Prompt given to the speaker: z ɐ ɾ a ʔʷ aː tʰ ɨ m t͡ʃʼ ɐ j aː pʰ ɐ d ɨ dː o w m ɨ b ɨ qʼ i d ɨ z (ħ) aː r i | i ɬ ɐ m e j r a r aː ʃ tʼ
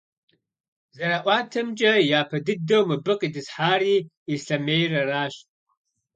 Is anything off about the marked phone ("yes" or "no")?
no